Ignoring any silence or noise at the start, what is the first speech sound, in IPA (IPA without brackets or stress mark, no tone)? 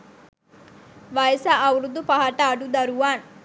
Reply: ʋ